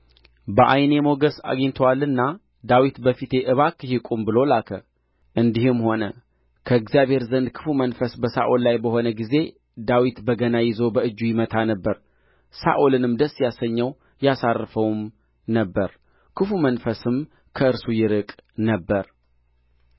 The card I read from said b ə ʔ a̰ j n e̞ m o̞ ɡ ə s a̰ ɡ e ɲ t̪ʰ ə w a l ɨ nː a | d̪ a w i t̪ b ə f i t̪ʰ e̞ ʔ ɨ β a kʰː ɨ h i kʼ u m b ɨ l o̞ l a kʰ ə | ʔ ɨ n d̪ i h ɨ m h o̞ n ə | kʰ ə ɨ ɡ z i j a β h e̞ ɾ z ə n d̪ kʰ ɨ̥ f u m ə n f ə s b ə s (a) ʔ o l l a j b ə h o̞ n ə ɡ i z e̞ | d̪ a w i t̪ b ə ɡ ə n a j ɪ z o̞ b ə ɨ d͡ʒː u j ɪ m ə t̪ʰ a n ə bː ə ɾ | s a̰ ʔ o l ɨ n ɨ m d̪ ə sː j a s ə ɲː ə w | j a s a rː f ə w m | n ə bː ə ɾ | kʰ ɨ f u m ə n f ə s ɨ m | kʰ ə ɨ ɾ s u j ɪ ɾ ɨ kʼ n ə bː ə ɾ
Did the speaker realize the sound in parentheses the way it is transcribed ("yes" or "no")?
yes